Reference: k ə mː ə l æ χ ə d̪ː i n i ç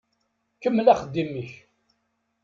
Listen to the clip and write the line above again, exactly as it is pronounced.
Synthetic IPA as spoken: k ə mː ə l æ χ ə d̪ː i m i ç